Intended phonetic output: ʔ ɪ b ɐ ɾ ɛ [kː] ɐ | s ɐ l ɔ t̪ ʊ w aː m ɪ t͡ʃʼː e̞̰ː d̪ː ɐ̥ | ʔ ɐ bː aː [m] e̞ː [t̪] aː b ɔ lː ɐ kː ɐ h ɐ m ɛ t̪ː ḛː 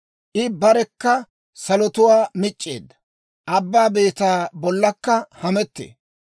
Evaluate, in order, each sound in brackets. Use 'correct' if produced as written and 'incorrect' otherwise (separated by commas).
correct, incorrect, correct